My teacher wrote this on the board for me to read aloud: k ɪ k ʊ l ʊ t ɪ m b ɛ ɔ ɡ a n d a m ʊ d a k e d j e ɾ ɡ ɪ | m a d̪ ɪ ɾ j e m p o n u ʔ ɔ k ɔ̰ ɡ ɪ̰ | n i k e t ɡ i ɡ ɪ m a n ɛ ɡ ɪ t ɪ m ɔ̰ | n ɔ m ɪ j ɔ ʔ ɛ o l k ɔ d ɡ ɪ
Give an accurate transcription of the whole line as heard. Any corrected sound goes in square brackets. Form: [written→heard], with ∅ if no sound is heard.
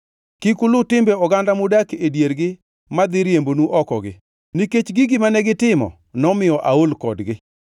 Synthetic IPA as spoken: k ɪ k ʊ l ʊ t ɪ m b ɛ ɔ ɡ a n d a m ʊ d a k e d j e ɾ ɡ ɪ | m a d̪ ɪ ɾ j e m [p→b] o n u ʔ ɔ k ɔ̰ ɡ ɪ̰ | n i k e [t→t͡ʃ] ɡ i ɡ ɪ m a n ɛ ɡ ɪ t ɪ m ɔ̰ | n ɔ m ɪ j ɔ ʔ [ɛ→a] o l k ɔ d ɡ ɪ